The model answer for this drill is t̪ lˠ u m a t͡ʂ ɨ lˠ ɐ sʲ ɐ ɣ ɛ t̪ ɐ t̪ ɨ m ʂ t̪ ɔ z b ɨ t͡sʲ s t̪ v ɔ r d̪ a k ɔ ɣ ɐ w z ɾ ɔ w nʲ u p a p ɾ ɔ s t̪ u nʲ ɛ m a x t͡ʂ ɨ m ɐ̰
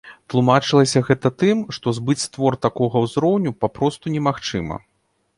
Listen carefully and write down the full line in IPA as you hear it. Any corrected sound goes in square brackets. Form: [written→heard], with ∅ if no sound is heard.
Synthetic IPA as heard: t̪ lˠ u m a t͡ʂ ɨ lˠ ɐ sʲ ɐ ɣ ɛ t̪ ɐ t̪ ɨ m ʂ t̪ ɔ z b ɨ t͡sʲ s t̪ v ɔ r [d̪→t̪] a k ɔ ɣ ɐ w z ɾ ɔ w nʲ u p a p ɾ ɔ s t̪ u nʲ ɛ m a x t͡ʂ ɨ m ɐ̰